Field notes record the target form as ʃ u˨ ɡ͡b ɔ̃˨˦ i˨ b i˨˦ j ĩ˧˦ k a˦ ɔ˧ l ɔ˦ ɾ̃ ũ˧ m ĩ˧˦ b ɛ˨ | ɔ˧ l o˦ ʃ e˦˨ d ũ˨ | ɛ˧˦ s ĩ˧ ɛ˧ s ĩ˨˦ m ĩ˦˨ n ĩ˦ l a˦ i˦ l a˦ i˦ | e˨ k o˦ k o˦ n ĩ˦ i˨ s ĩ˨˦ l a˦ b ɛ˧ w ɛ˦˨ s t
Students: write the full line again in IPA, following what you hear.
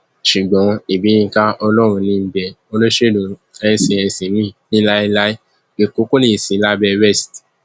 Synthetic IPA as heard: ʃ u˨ ɡ͡b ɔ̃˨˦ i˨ b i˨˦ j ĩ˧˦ k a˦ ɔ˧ l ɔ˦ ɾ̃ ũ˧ n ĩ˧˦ b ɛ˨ | o˧ l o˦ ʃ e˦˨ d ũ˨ | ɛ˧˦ s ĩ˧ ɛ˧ s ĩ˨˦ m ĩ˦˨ n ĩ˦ l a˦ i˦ l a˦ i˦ | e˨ k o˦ k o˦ n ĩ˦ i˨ s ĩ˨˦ l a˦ b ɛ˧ w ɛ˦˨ s t